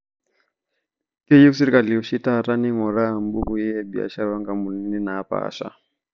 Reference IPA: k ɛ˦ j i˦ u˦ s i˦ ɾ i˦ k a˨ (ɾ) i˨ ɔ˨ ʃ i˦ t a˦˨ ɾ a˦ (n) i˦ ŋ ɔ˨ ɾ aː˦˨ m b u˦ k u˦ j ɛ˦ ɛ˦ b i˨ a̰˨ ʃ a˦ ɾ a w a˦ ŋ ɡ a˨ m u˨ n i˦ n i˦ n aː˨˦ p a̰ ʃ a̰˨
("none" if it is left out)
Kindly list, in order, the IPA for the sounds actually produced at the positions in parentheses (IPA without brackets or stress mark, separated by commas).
l, n